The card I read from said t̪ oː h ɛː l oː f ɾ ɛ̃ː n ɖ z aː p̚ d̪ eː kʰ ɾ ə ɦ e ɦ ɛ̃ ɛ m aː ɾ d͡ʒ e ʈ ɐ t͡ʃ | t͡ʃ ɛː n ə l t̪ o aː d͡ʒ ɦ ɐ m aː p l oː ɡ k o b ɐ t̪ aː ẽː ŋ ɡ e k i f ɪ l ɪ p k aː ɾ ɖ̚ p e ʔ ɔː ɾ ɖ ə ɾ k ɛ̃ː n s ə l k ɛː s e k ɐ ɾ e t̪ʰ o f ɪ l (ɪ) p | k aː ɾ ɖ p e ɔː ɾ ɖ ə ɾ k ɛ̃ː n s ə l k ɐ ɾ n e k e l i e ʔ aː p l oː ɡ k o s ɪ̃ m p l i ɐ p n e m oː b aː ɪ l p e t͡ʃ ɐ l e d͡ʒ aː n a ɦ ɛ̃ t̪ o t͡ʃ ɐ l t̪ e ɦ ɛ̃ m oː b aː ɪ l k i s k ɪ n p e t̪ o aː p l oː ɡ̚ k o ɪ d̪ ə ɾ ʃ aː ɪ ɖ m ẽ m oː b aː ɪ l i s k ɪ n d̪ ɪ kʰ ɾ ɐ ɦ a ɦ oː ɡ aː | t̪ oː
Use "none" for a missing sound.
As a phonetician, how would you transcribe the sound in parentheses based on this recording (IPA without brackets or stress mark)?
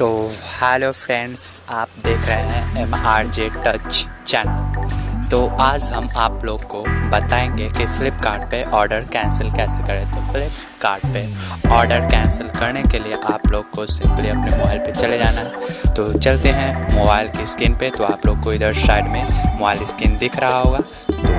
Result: ɪ